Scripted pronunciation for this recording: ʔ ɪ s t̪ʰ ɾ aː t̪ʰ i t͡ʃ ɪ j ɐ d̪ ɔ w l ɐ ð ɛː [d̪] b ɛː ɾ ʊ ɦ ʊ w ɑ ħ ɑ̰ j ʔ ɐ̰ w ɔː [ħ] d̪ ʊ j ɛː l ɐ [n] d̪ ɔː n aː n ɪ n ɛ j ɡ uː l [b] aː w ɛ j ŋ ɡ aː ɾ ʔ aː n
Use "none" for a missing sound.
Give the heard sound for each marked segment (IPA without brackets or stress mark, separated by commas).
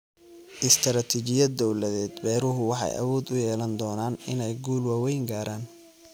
d̪, none, n, w